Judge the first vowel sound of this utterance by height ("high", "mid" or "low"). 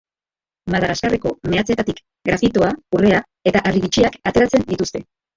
low